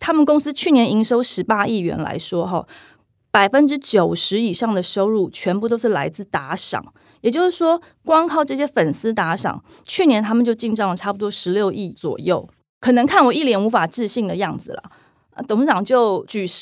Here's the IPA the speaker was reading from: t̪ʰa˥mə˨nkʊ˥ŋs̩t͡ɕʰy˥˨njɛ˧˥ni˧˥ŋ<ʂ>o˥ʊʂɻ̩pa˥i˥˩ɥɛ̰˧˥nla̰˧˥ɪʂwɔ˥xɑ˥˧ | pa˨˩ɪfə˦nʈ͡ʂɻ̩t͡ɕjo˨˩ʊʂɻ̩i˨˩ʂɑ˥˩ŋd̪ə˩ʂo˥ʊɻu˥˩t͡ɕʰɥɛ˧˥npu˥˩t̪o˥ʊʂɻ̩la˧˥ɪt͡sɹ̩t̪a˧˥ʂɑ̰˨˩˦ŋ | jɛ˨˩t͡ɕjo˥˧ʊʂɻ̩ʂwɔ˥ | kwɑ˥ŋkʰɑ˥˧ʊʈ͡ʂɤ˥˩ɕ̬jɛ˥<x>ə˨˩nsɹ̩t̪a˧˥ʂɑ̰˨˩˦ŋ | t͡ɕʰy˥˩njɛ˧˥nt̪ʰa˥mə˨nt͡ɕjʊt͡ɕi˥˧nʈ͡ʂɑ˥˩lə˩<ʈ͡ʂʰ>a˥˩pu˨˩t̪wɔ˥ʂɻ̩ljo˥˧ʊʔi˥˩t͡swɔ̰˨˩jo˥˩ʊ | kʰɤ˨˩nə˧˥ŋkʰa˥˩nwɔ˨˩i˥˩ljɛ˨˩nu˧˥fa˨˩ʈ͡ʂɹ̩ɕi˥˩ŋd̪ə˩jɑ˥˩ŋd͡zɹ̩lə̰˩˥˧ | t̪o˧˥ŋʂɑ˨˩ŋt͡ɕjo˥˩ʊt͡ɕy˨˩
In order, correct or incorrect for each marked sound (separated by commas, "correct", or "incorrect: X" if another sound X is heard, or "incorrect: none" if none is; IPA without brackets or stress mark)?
correct, incorrect: f, correct